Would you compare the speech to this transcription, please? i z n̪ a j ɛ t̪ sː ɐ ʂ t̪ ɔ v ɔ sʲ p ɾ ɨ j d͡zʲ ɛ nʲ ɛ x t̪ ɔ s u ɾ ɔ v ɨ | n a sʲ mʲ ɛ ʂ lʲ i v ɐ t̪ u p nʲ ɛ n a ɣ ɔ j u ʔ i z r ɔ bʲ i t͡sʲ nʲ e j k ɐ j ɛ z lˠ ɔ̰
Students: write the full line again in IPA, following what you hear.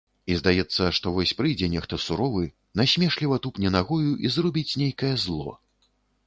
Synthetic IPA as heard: i z d̪ a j ɛ t̪ sː ɐ ʂ t̪ ɔ v ɔ sʲ p ɾ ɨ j d͡zʲ ɛ nʲ ɛ x t̪ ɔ s u ɾ ɔ v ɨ | n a sʲ mʲ ɛ ʂ lʲ i v ɐ t̪ u p nʲ ɛ n a ɣ ɔ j u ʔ i z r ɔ bʲ i t͡sʲ nʲ e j k ɐ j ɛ z lˠ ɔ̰